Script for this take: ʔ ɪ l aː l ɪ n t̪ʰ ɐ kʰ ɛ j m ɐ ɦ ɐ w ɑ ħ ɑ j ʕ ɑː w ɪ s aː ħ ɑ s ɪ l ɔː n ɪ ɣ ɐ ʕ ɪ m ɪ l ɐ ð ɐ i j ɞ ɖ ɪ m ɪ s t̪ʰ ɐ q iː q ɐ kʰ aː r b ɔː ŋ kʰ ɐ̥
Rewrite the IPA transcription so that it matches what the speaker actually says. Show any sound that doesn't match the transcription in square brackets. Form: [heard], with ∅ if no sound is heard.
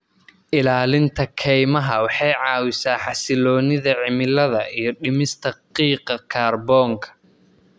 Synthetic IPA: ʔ ɪ l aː l ɪ n t̪ʰ ɐ kʰ ɛ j m ɐ ɦ ɐ w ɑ ħ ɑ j ʕ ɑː w ɪ s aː ħ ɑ s ɪ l ɔː n ɪ [ð] ɐ ʕ ɪ m ɪ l ɐ ð ɐ i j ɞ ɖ ɪ m ɪ s t̪ʰ ɐ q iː q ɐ kʰ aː r b ɔː ŋ kʰ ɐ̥